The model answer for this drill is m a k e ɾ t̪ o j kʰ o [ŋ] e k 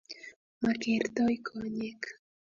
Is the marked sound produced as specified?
no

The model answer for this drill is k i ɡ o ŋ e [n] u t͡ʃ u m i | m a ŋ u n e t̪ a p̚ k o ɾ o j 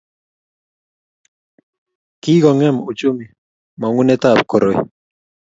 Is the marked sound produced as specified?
no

